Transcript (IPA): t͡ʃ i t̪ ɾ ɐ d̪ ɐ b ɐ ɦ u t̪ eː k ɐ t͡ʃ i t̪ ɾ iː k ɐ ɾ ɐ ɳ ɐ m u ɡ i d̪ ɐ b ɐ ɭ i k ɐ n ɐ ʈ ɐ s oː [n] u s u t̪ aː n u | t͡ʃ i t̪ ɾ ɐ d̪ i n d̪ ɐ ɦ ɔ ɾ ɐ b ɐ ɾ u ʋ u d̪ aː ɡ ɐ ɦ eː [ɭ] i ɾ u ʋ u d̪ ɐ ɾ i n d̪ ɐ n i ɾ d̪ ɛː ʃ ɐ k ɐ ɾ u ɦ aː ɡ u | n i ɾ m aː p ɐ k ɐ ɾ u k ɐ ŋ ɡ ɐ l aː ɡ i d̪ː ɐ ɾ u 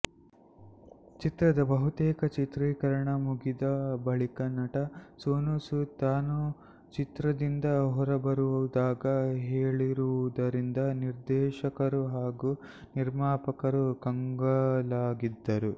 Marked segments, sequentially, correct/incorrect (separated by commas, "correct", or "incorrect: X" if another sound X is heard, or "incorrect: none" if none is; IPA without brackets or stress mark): correct, correct